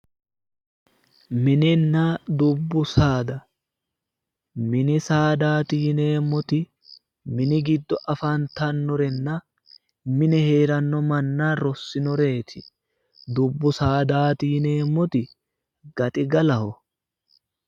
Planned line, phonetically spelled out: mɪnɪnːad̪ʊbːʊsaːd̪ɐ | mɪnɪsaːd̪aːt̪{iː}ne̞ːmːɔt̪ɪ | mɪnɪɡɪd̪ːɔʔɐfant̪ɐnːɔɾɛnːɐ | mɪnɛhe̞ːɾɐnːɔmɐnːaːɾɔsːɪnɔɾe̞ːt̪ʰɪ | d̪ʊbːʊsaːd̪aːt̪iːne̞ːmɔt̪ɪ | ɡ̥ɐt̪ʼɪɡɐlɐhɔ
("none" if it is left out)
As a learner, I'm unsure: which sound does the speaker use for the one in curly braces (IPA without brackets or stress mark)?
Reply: iː